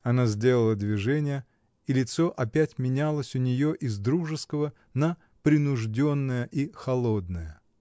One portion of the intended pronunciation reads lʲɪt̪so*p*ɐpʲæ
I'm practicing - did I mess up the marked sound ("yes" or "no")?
yes